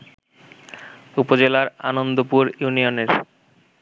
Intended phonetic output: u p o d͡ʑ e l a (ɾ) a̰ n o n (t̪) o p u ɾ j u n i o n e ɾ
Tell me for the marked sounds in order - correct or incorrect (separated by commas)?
correct, incorrect